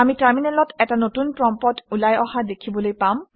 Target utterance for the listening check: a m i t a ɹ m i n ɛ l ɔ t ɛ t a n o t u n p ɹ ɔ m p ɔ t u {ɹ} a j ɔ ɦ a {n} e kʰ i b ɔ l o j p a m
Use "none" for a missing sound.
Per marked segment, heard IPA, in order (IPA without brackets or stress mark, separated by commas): l, d